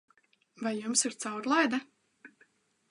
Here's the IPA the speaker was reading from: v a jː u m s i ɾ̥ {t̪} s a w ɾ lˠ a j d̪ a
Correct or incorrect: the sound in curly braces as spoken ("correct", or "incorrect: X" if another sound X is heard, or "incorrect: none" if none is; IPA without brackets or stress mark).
correct